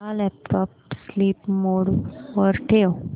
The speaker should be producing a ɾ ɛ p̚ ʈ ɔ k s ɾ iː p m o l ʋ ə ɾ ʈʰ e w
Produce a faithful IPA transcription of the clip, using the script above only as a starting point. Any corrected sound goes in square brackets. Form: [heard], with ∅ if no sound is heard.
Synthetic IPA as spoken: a [l] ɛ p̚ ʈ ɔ [p] s [l] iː p m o [ɽ] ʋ ə ɾ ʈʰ e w